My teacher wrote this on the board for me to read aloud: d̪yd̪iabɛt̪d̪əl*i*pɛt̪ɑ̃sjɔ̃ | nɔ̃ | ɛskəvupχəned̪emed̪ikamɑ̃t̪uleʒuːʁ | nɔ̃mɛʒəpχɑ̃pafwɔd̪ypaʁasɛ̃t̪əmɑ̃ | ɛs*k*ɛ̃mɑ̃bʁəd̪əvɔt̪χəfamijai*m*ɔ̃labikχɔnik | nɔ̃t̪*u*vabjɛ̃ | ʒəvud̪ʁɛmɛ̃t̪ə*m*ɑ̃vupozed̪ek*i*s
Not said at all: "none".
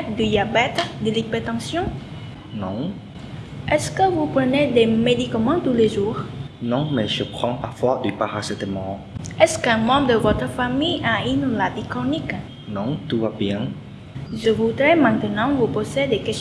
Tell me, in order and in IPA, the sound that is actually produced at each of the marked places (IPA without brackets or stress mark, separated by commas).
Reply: i, k, n, u, n, ɛ